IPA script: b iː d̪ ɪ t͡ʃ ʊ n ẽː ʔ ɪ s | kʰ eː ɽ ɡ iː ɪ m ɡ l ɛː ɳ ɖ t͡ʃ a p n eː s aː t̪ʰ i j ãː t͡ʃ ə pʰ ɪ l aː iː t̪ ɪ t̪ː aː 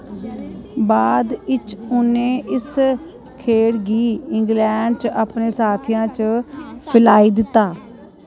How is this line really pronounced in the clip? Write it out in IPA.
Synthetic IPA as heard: b aː d̪ ɪ t͡ʃ ʊ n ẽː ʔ ɪ s | kʰ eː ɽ ɡ iː ɪ ŋ ɡ l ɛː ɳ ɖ t͡ʃ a p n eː s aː t̪ʰ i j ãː t͡ʃ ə pʰ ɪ l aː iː d̪ ɪ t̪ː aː